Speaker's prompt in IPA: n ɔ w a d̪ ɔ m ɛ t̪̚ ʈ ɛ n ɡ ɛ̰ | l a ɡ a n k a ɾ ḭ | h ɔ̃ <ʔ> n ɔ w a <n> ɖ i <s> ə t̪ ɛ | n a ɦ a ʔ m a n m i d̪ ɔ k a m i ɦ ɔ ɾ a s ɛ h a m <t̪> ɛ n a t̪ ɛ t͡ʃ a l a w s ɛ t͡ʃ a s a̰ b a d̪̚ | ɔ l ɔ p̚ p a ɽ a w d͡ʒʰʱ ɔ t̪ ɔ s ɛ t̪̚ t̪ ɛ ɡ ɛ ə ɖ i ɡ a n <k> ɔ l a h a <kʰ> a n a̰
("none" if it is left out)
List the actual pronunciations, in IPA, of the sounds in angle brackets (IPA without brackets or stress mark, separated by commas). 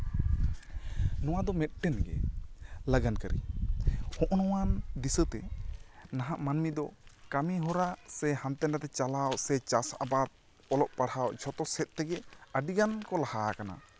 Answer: ʔ, n, s, t̪, k, k